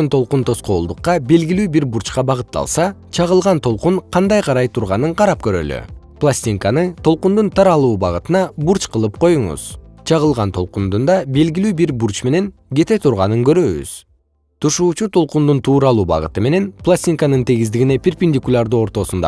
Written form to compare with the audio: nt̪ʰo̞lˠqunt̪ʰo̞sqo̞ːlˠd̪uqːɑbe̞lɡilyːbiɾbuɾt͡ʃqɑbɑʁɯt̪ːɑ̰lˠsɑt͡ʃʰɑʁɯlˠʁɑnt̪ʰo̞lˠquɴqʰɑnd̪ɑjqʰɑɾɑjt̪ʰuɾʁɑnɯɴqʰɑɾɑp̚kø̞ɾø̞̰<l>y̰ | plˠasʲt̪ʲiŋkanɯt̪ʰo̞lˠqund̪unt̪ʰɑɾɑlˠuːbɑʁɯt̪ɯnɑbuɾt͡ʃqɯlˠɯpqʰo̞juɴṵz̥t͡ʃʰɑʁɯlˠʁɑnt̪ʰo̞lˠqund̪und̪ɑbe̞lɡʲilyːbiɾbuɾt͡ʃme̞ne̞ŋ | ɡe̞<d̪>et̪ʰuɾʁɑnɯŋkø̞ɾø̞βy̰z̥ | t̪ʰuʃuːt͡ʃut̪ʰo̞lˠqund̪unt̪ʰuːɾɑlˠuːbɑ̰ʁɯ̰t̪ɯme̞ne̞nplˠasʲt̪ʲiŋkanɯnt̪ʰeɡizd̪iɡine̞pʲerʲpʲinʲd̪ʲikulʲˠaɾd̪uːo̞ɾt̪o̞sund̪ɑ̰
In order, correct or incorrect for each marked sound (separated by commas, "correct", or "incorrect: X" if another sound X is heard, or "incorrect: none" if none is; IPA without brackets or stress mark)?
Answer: correct, incorrect: t̪